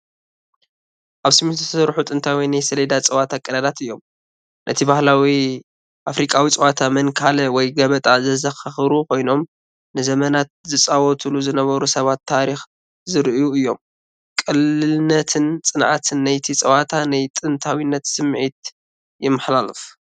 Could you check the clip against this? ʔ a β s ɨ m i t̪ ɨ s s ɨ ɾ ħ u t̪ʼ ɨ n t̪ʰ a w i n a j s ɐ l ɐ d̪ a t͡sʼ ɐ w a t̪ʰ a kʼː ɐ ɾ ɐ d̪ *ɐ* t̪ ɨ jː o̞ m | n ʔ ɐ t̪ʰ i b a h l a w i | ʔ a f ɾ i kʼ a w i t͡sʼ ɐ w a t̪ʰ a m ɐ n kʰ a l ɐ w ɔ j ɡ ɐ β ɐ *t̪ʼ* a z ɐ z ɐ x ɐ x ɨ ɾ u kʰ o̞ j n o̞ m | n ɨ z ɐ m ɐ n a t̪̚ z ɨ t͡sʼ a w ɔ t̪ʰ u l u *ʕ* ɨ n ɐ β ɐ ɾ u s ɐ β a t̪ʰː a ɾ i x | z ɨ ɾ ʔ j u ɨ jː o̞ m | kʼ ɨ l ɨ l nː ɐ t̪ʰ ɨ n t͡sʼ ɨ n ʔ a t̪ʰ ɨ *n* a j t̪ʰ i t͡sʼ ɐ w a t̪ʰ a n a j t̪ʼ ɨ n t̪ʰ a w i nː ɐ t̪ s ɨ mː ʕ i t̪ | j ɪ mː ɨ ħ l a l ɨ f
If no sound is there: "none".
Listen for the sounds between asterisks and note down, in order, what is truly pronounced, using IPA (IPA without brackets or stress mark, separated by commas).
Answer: a, t̪ʼ, z, nː